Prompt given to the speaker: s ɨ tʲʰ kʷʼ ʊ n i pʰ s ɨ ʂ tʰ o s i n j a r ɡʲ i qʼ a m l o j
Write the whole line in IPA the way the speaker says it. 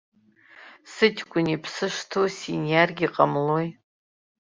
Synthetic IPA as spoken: s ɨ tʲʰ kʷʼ ʊ n i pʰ s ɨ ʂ tʰ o s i n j a r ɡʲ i qʼ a m l o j